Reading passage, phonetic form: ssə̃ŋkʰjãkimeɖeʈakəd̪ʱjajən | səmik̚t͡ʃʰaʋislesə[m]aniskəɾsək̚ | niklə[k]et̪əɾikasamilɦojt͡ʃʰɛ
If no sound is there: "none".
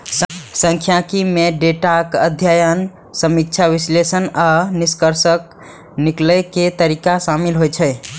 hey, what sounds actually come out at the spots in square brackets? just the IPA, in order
n, k

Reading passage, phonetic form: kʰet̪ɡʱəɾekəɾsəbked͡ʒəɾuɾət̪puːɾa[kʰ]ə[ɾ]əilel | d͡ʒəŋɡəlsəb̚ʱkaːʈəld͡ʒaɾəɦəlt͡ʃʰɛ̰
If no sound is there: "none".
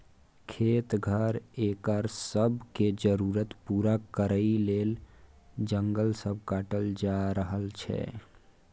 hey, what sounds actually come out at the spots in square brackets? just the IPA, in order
k, ɾ

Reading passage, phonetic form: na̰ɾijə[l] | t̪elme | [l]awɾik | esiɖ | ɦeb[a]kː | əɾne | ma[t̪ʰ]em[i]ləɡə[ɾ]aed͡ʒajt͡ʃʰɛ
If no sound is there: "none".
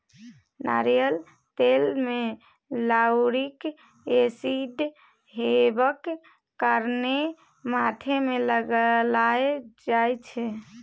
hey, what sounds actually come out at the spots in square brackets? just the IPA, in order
l, l, ə, t̪ʰ, e, l

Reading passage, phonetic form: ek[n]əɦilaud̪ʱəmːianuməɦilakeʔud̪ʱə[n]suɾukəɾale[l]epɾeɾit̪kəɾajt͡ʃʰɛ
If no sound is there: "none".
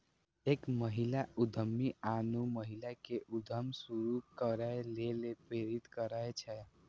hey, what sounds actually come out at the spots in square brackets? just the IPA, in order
m, m, l

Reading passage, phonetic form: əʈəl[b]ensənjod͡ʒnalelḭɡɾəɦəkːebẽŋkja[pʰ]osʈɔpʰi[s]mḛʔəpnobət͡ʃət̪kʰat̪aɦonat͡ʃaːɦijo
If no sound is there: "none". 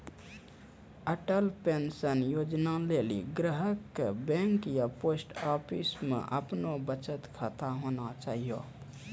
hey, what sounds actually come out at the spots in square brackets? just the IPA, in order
p, p, s

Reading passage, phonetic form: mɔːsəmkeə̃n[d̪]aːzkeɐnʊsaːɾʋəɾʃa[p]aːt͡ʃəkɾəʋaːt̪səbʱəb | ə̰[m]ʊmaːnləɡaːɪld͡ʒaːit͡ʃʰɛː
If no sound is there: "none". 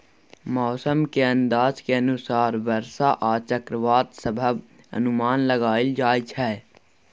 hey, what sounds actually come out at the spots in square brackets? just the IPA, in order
d̪, ʔ, n

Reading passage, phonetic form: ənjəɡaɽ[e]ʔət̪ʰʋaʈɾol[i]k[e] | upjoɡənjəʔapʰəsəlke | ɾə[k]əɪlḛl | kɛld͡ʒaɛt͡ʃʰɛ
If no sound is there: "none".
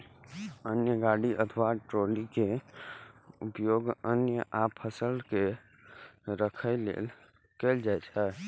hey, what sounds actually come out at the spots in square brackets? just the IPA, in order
i, i, e, kʰ

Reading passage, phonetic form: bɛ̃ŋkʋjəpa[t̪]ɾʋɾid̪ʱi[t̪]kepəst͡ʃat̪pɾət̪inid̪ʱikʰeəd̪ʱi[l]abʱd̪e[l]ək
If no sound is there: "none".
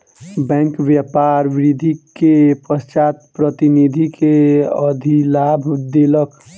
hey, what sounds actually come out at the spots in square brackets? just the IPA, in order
none, none, l, l

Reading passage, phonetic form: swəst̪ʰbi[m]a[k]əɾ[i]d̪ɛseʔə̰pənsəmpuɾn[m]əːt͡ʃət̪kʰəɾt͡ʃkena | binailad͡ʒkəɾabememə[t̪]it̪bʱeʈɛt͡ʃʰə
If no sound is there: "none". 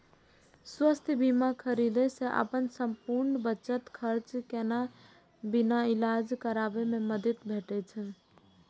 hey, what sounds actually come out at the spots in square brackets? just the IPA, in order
m, kʰ, i, b, d̪

